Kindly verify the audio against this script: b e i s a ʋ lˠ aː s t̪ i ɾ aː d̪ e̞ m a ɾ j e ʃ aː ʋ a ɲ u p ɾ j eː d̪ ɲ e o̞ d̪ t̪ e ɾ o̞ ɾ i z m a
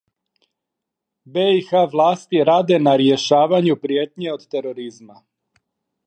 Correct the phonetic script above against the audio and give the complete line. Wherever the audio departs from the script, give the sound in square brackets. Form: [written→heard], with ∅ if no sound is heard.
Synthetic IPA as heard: b e i [s→x] a ʋ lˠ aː s t̪ i ɾ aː d̪ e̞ [m→n] a ɾ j e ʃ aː ʋ a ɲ u p ɾ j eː [d̪→t̪] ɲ e o̞ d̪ t̪ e ɾ o̞ ɾ i z m a